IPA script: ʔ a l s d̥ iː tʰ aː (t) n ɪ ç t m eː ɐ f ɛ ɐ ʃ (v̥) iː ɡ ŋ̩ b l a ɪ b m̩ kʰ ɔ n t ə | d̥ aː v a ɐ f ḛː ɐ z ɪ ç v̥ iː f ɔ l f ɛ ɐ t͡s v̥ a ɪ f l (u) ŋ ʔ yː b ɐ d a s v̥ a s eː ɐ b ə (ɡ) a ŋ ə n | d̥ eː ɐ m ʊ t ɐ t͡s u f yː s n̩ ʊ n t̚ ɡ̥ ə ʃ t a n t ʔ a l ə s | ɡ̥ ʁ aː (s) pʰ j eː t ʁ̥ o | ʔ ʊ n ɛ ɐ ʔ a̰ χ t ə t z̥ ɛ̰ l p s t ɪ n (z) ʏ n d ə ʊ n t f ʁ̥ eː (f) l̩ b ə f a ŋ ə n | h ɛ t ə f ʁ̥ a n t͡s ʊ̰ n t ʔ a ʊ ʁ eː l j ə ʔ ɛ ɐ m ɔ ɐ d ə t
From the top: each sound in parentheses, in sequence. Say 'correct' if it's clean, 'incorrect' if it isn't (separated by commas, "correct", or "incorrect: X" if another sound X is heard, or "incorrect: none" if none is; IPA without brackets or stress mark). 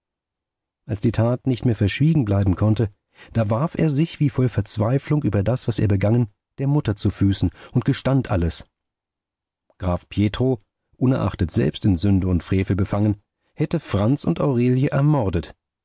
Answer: correct, correct, incorrect: ʊ, correct, incorrect: f, correct, correct